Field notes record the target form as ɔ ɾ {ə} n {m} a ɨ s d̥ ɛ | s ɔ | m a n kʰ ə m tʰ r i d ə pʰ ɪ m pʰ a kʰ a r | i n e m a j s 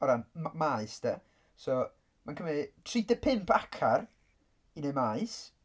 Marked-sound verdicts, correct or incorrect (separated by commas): incorrect, correct